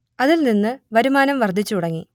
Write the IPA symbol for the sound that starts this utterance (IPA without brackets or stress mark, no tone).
ɐ